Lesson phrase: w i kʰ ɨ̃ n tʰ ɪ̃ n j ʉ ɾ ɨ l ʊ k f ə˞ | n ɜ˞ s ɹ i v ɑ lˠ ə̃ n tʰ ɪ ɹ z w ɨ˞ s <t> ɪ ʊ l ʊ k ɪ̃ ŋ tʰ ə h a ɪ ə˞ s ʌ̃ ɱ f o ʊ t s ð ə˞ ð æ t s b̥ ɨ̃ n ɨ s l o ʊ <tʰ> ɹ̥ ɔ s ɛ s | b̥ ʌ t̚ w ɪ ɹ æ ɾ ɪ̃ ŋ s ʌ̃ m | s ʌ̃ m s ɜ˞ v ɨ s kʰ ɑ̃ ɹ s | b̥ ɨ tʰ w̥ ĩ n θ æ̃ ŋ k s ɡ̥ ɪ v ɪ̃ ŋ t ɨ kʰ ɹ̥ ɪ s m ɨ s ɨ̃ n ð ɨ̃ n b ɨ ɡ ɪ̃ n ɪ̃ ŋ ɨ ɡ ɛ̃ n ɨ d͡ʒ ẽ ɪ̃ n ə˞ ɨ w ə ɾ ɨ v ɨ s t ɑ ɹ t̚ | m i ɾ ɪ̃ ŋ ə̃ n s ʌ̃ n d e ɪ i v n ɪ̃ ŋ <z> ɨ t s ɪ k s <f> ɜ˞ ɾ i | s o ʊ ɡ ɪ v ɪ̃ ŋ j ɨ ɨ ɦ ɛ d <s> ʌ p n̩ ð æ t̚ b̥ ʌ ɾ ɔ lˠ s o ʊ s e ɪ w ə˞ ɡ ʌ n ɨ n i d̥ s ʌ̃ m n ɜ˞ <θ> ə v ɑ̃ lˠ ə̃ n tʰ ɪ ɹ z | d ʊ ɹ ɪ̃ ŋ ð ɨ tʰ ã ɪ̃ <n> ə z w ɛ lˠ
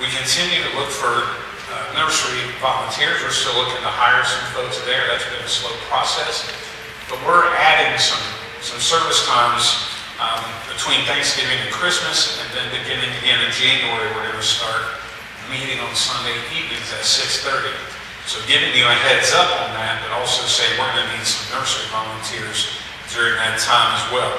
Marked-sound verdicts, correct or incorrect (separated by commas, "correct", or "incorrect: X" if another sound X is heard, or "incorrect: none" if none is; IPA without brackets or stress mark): correct, incorrect: pʰ, correct, incorrect: θ, incorrect: z, incorrect: s, incorrect: m